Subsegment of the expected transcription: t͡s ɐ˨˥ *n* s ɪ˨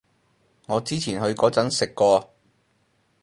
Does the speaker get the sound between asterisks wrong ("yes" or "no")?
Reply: no